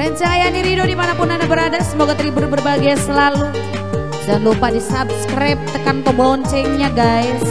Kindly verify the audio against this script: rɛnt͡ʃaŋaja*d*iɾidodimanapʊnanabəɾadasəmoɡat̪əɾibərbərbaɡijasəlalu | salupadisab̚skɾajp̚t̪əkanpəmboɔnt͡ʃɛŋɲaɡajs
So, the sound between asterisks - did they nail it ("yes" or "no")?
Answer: no